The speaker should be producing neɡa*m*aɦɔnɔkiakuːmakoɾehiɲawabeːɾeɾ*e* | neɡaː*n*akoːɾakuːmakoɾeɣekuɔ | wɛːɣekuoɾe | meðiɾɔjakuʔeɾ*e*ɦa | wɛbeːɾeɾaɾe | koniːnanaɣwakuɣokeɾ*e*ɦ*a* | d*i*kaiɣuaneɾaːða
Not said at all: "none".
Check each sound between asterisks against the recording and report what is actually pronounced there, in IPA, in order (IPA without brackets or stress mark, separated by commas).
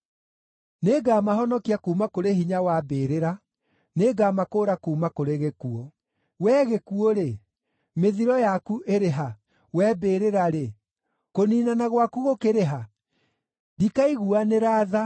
m, a, m, e, e, a, i